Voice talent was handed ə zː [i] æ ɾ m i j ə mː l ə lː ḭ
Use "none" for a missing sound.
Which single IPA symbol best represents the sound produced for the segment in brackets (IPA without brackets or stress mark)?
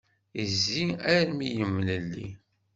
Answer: i